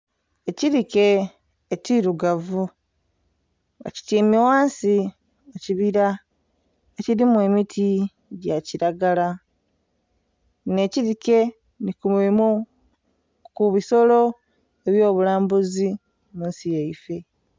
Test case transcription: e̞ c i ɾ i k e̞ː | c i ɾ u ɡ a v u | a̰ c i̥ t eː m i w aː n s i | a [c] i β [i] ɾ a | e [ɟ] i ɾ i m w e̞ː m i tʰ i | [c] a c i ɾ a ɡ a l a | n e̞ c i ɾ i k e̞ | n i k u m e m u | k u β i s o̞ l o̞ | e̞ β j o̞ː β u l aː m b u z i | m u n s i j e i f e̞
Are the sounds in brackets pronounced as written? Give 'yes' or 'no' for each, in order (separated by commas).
yes, yes, no, no